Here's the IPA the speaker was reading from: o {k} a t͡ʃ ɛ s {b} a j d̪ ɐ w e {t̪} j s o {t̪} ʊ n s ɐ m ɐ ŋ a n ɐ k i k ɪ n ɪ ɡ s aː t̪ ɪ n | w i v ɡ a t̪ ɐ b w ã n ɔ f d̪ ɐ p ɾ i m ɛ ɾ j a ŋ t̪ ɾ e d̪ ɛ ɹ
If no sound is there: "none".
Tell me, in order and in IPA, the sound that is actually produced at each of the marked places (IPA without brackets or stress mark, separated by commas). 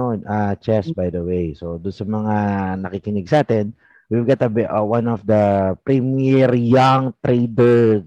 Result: none, b, none, d̪